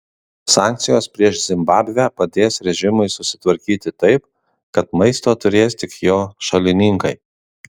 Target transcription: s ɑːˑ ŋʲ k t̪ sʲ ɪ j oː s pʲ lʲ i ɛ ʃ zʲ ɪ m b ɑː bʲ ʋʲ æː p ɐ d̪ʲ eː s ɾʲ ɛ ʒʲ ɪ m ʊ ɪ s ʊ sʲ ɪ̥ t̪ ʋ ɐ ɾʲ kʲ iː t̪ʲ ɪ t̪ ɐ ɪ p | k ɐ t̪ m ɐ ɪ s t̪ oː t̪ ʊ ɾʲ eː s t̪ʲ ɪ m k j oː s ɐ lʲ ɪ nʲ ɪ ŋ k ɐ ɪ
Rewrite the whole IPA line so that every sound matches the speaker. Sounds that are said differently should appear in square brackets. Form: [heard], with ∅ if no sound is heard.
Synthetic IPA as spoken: s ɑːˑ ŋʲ k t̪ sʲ ɪ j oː s pʲ [ɾʲ] i ɛ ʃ zʲ ɪ m b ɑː bʲ ʋʲ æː p ɐ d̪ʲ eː s ɾʲ ɛ ʒʲ ɪ m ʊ ɪ s ʊ sʲ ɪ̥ t̪ ʋ ɐ ɾʲ kʲ iː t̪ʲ ɪ t̪ ɐ ɪ p | k ɐ t̪ m ɐ ɪ s t̪ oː t̪ ʊ ɾʲ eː s t̪ʲ ɪ [∅] k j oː [ʃ] ɐ lʲ ɪ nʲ ɪ ŋ k ɐ ɪ